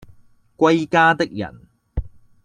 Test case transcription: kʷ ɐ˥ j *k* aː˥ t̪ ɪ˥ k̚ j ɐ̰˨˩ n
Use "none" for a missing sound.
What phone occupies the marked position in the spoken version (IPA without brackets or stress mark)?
k